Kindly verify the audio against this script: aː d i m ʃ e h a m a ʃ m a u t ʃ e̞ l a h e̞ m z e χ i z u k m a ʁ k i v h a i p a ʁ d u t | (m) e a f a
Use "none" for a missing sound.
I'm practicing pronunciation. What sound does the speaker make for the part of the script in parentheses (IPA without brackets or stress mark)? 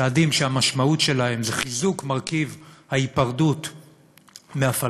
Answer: m